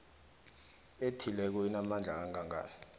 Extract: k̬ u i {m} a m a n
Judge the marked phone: incorrect: n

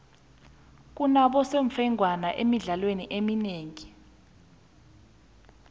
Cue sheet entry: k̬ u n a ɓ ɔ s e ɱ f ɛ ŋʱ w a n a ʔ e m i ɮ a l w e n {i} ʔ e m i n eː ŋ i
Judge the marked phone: correct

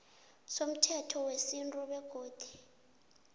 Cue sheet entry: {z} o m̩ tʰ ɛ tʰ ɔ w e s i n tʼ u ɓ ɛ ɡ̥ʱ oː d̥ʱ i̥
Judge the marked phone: incorrect: s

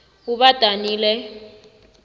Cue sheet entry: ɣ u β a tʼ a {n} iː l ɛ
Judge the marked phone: correct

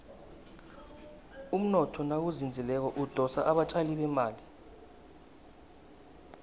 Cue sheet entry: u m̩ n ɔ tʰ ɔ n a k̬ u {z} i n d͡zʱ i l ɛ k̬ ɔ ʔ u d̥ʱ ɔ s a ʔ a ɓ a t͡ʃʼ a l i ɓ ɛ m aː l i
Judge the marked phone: correct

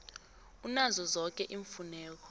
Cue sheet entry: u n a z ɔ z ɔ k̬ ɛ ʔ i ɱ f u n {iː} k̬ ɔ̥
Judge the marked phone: incorrect: ɛː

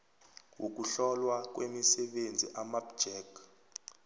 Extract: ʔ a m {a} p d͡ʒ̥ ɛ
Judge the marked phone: correct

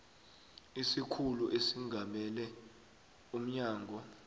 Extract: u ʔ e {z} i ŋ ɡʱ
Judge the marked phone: incorrect: s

